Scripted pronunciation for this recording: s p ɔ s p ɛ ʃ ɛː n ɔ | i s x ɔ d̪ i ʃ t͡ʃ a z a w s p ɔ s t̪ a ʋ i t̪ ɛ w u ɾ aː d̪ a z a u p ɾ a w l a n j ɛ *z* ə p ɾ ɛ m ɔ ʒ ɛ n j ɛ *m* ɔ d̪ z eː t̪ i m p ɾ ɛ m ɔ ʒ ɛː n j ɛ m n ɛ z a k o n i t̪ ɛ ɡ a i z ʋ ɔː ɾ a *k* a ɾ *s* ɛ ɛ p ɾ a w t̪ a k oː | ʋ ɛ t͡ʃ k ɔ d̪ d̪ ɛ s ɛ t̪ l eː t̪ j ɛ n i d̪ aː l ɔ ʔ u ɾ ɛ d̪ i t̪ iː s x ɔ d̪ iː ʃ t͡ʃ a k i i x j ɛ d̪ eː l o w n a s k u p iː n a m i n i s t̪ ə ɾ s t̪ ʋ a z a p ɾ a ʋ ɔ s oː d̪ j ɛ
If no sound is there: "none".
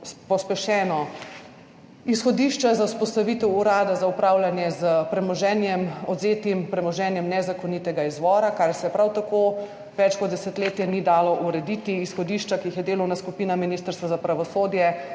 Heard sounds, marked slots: z, m, k, s

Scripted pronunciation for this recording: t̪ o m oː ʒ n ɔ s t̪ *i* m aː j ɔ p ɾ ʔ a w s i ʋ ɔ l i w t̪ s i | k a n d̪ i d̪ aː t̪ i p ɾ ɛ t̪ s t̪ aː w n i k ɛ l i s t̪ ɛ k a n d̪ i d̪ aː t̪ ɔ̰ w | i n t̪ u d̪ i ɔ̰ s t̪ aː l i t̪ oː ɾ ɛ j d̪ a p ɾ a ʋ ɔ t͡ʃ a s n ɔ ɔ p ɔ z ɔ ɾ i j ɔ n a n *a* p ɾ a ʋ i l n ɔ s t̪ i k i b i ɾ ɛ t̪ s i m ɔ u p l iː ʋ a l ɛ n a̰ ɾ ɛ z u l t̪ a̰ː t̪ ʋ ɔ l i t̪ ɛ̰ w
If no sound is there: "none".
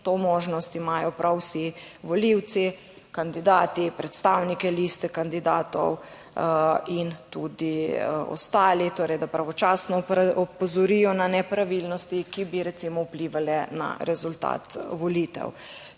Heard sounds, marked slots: i, ɛ

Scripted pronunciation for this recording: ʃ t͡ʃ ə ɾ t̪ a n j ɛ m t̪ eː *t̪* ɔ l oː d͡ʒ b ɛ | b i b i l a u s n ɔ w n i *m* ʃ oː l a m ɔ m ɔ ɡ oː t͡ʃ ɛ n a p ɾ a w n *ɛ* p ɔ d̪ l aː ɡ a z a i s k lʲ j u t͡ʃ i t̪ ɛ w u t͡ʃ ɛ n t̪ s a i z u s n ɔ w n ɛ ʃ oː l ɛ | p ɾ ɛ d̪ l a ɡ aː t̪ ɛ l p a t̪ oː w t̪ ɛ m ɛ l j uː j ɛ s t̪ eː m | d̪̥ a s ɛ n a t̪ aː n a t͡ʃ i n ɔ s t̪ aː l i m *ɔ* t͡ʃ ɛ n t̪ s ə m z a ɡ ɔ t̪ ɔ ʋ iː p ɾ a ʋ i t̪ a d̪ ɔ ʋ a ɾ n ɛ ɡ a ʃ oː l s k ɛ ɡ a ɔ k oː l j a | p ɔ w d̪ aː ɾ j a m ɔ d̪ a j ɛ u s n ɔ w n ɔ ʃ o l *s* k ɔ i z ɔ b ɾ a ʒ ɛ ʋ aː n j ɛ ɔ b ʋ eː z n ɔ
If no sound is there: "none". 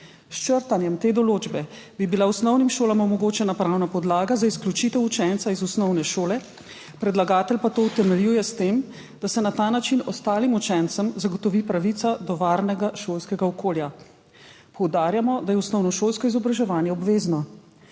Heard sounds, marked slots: d̪, m, a, u, s

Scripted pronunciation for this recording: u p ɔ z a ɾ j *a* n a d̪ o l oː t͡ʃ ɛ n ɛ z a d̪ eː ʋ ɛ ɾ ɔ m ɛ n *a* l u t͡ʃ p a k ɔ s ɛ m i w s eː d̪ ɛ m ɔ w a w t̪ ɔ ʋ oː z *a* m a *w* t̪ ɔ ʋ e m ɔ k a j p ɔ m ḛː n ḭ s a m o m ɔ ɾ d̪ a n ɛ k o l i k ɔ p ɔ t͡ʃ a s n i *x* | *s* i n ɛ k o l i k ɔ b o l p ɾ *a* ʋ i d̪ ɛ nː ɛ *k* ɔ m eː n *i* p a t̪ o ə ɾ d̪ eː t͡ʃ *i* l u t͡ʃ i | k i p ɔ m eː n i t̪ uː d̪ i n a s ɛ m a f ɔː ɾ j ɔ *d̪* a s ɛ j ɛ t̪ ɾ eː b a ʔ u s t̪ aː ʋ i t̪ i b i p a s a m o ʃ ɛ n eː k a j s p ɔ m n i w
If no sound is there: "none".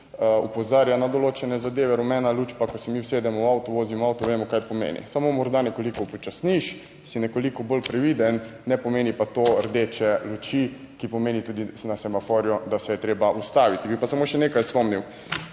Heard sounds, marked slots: a, a, i, w, ʃ, s, ɛ, p, i, ɛ, d̪

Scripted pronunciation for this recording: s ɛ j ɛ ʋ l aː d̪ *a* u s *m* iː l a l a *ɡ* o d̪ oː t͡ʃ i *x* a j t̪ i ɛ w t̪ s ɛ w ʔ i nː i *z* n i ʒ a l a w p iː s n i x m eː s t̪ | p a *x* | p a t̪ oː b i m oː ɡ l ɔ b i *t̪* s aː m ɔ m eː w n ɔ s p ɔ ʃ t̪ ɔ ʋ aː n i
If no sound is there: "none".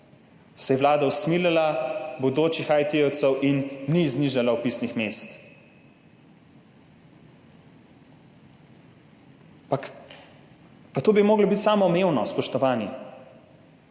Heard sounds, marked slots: a, m, b, x, z, k, t̪

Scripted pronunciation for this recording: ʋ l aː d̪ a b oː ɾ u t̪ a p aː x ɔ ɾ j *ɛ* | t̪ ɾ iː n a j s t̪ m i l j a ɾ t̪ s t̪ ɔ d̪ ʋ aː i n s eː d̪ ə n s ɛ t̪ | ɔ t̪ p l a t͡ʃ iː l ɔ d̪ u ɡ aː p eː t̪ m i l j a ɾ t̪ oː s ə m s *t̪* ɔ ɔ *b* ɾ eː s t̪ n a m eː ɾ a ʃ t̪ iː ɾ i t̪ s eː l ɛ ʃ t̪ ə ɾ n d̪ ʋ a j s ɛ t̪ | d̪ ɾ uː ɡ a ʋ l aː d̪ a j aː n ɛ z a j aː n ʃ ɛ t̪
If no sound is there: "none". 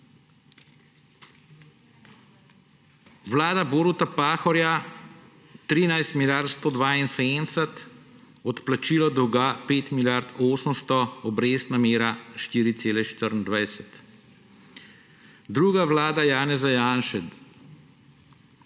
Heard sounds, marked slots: a, t̪, b

